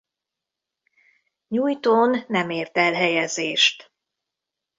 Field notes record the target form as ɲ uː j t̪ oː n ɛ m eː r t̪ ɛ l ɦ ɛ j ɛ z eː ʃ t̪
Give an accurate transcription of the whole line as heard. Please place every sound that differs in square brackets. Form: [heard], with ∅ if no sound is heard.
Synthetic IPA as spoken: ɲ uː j t̪ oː [nː] ɛ m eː r t̪ ɛ l ɦ ɛ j ɛ z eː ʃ t̪